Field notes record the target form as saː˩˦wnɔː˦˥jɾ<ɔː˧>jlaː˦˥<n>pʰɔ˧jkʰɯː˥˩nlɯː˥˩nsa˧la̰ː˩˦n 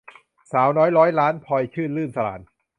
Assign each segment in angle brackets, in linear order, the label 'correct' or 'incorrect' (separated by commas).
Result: incorrect, correct